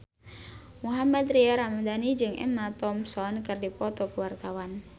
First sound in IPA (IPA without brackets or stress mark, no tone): m